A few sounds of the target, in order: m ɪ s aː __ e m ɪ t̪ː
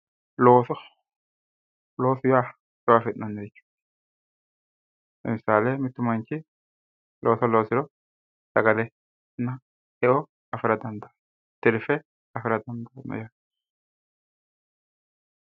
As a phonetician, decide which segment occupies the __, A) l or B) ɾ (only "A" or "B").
A